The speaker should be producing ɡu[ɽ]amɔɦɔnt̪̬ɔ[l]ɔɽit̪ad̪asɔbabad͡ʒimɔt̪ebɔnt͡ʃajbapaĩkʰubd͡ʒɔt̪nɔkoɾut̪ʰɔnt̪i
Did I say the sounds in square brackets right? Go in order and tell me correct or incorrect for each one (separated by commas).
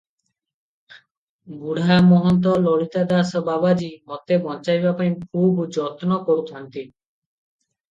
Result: correct, correct